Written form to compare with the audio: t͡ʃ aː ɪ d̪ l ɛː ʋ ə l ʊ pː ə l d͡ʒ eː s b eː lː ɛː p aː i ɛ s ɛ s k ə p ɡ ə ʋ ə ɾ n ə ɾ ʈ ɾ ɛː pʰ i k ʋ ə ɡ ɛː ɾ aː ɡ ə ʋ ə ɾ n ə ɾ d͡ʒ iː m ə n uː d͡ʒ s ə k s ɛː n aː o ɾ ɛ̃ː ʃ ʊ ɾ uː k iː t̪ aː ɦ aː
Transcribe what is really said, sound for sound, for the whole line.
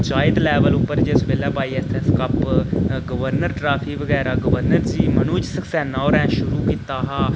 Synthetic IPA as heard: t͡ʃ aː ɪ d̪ l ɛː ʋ ə l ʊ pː ə ɾ d͡ʒ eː s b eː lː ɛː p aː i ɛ s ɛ s k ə p ɡ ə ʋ ə ɾ n ə ɾ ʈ ɾ aː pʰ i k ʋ ə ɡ ɛː ɾ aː ɡ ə ʋ ə ɾ n ə ɾ d͡ʒ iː m ə n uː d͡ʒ s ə k s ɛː n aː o ɾ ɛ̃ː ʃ ʊ ɾ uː k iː t̪ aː ɦ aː